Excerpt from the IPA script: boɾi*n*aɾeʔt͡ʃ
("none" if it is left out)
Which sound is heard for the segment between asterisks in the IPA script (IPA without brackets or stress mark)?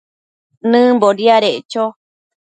none